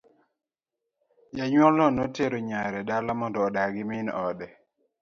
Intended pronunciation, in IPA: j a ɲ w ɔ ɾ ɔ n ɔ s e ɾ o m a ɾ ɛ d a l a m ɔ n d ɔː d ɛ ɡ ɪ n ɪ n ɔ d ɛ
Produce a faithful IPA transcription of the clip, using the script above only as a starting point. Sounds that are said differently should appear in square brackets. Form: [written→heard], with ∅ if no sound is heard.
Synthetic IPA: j a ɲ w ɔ [ɾ→l] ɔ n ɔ [s→t] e ɾ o [m→ɲ] a ɾ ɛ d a l a m ɔ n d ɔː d [ɛ→a] ɡ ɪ [n→m] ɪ n ɔ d ɛ